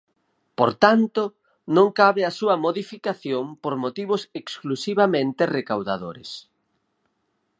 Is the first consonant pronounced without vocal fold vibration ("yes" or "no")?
yes